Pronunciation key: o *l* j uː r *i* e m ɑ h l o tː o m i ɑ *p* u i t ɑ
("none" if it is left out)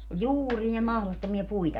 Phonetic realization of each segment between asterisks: l, i, p

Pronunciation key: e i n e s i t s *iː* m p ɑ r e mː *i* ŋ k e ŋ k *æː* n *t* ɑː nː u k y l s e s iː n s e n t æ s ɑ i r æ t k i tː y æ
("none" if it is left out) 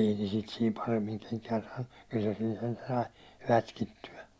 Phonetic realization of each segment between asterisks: iː, i, æː, s

